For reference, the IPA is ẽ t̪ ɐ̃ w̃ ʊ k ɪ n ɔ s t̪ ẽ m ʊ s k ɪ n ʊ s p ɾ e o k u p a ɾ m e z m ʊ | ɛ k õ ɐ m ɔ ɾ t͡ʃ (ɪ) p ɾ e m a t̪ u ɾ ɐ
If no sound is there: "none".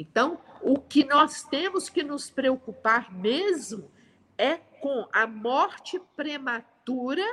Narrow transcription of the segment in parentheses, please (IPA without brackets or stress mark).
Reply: ɪ